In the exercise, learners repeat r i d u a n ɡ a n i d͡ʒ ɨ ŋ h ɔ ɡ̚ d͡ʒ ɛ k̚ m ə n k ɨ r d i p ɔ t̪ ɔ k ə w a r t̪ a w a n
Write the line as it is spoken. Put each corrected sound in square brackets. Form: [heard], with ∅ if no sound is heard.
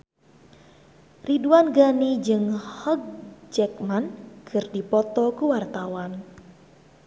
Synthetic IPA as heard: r i d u a n ɡ a n i d͡ʒ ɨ ŋ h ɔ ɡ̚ d͡ʒ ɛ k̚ m [a] n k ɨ r d i p ɔ t̪ ɔ k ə w a r t̪ a w a n

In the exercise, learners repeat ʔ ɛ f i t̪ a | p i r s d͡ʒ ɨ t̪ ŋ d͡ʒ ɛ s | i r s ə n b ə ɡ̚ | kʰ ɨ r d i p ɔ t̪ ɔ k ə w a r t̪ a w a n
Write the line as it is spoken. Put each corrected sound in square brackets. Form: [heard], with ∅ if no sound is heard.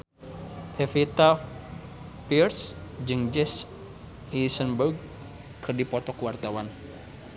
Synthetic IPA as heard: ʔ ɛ f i t̪ a | p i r s d͡ʒ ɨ [∅] ŋ d͡ʒ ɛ s | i [∅] s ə n b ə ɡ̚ | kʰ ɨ r d i p ɔ t̪ ɔ k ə w a r t̪ a w a n

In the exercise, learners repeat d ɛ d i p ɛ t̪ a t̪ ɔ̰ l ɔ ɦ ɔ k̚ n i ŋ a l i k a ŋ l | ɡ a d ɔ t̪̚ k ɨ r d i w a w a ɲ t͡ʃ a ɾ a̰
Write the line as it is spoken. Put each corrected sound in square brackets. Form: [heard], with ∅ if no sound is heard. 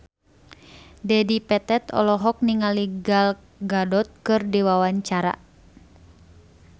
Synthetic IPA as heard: d ɛ d i p ɛ t̪ [ɛ] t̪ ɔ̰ l ɔ ɦ ɔ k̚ n i ŋ a l i [ɡ] a [∅] l | ɡ a d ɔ t̪̚ k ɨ r d i w a w a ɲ t͡ʃ a ɾ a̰

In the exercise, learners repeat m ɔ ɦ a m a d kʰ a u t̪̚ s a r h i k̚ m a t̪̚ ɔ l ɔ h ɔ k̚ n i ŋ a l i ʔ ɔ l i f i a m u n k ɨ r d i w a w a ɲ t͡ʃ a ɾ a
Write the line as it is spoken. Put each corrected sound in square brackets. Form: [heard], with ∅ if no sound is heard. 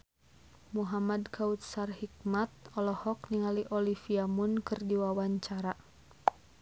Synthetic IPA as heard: m [u] ɦ a m a d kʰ a u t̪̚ s a r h i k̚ m a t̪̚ ɔ l ɔ h ɔ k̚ n i ŋ a l i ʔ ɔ l i f i a m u n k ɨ r d i w a w a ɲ t͡ʃ a ɾ a

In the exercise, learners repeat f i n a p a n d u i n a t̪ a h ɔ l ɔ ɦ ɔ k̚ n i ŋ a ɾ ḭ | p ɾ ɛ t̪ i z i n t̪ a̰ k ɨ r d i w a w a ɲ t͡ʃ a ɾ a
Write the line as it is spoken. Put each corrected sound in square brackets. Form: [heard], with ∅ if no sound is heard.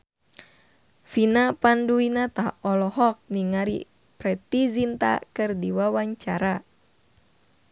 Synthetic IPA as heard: f i n a p a n d u i n a t̪ a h ɔ l ɔ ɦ ɔ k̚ n i ŋ a ɾ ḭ | p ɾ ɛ t̪ i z i n t̪ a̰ k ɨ r d i w a w a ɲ t͡ʃ a ɾ a

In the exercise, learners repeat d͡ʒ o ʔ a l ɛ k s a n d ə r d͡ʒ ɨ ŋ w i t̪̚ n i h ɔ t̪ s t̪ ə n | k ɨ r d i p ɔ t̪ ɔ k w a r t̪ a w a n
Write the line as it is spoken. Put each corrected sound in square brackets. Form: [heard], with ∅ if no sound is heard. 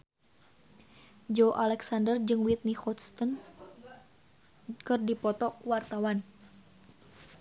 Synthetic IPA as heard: d͡ʒ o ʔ a l ɛ k s a n d ə r d͡ʒ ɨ ŋ w i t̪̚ n i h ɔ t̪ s t̪ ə n | k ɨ r d i p ɔ t̪ ɔ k w a r t̪ a w a n

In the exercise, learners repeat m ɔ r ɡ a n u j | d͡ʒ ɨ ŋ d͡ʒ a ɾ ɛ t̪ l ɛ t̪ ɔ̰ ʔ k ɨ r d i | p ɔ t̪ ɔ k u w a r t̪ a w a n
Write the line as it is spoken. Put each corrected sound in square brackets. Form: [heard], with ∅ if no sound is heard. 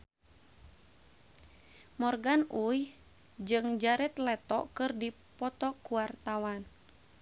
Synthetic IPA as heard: m ɔ r ɡ a n u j | d͡ʒ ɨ ŋ d͡ʒ a ɾ ɛ t̪ l ɛ t̪ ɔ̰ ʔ k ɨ r d i | p ɔ t̪ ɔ k u w a r t̪ a w a n

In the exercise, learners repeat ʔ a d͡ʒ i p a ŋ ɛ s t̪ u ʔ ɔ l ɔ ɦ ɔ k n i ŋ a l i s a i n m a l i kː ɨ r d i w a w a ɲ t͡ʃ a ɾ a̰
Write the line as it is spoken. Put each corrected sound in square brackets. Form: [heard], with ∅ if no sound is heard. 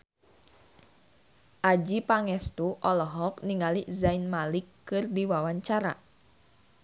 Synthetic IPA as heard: ʔ a d͡ʒ i p a ŋ ɛ s t̪ u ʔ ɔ l ɔ ɦ ɔ k n i ŋ a l i [z] a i n m a l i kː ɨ r d i w a w a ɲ t͡ʃ a ɾ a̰

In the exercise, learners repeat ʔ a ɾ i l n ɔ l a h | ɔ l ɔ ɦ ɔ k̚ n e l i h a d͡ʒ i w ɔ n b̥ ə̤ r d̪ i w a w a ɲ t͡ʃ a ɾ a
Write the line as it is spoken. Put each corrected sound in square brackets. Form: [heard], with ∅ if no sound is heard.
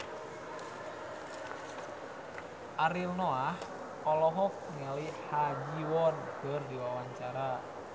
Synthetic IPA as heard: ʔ a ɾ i l n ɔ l a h | ɔ l ɔ ɦ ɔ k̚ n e l i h a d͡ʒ i w ɔ n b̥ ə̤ r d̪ i w a w a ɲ t͡ʃ a ɾ a

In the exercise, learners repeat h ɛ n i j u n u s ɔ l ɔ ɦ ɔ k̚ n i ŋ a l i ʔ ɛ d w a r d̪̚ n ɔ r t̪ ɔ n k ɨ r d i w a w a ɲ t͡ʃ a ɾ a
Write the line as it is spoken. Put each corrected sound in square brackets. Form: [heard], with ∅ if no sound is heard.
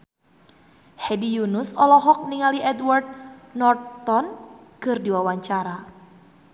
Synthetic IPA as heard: h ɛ [d] i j u n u s ɔ l ɔ ɦ ɔ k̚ n i ŋ a l i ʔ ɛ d w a r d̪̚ n ɔ r t̪ ɔ n k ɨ r d i w a w a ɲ t͡ʃ a ɾ a

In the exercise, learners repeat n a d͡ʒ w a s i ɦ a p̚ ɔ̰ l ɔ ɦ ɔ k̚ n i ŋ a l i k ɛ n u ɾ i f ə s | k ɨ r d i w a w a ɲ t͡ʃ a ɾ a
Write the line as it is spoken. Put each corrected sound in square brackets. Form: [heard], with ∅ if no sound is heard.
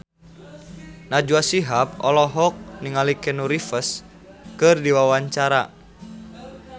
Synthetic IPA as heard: n a d͡ʒ [u] a s i ɦ a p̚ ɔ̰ l ɔ ɦ ɔ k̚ n i ŋ a l i k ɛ n u ɾ i f ə s | k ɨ r d i w a w a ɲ t͡ʃ a ɾ a

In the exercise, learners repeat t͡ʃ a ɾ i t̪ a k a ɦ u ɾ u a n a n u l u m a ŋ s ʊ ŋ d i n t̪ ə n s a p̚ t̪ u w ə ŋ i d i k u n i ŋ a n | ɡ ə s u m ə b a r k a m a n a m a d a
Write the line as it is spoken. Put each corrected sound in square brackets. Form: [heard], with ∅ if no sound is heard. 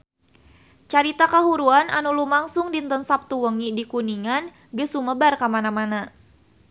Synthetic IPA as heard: t͡ʃ a ɾ i t̪ a k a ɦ u ɾ u a n a n u l u m a ŋ s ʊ ŋ d i n t̪ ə n s a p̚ t̪ u w ə ŋ i d i k u n i ŋ a n | ɡ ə s u m ə b a r k a m a n a m a [n] a

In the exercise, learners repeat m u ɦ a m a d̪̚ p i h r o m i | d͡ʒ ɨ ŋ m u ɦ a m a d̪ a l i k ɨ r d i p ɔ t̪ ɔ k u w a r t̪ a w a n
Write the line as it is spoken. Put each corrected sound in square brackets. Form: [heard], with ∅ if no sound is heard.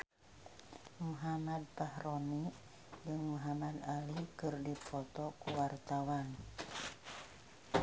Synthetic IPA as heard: m u ɦ a m a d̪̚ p [a] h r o [n] i | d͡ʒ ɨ ŋ m u ɦ a m a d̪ a l i k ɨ r d i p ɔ t̪ ɔ k u w a r t̪ a w a n

